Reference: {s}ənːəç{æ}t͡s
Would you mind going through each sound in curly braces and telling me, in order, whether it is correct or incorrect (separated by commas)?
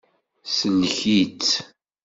correct, incorrect